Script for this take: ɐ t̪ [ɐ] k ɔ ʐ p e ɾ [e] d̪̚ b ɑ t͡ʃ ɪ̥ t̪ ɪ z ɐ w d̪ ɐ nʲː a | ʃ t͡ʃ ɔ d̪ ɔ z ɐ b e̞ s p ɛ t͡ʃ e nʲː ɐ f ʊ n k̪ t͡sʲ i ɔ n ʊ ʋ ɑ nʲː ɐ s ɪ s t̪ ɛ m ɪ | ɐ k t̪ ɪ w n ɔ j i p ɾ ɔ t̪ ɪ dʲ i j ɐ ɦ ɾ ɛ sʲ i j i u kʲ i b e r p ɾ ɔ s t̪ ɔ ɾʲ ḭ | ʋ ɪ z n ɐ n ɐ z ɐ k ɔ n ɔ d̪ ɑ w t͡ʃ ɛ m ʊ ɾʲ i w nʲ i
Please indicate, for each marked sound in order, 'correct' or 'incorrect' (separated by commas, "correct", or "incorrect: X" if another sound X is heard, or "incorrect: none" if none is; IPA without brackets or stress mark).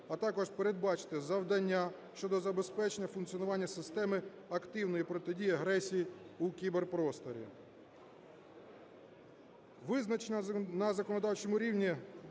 incorrect: ɑ, correct